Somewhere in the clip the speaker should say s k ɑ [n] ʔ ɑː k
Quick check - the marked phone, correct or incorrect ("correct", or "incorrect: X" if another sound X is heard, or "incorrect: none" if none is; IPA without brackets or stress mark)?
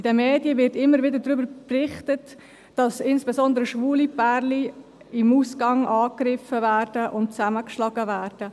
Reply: incorrect: ŋ